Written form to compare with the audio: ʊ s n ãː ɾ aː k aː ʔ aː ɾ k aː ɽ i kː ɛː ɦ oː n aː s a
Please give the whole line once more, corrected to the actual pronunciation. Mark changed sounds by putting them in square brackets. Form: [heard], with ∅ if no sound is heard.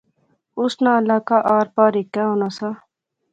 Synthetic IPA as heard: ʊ s n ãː [l] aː k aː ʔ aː ɾ [p] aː [ɾ] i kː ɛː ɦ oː n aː s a